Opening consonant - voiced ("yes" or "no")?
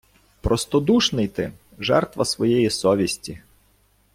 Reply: no